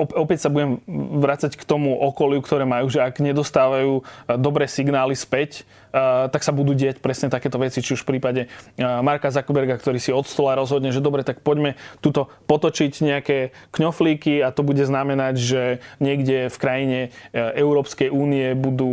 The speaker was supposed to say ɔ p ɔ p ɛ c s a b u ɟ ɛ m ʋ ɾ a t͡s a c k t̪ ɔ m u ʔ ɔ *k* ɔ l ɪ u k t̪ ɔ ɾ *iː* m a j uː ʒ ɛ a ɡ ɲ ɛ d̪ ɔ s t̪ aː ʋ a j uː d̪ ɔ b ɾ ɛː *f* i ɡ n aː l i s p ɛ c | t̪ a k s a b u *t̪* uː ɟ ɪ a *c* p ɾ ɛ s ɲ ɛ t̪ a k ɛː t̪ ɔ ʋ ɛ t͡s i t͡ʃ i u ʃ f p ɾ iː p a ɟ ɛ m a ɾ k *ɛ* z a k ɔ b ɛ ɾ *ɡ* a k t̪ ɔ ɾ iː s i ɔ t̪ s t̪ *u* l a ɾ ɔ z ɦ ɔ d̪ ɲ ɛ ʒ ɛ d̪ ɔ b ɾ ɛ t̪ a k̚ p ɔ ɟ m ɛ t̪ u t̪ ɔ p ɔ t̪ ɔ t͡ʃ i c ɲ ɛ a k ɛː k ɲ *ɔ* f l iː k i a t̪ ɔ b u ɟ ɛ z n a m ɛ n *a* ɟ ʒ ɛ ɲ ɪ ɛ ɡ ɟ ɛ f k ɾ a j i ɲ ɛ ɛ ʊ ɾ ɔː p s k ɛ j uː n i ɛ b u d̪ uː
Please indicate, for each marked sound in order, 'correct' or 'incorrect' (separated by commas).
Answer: correct, incorrect, incorrect, incorrect, correct, incorrect, correct, incorrect, correct, correct